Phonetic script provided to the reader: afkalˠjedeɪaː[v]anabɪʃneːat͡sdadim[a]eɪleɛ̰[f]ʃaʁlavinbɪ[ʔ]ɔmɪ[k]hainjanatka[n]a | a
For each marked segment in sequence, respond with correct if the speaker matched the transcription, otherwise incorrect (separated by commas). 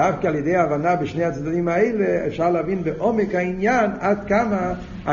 correct, correct, correct, correct, correct, incorrect